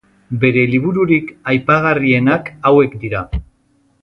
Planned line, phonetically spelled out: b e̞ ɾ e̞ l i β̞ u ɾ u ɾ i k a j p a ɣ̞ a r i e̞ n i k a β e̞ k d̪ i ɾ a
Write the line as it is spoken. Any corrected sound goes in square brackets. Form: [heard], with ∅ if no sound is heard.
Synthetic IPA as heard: b e̞ ɾ e̞ l i β̞ u ɾ u ɾ i k a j p a ɣ̞ a r i e̞ n [a] k a [w] e̞ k d̪ i ɾ a